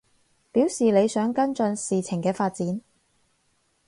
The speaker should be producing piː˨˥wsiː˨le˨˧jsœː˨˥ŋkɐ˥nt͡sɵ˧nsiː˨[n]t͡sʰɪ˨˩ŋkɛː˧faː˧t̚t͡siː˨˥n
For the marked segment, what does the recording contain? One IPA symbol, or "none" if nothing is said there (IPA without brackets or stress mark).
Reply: none